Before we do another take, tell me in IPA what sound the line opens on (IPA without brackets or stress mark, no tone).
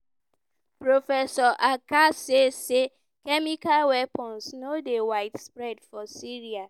p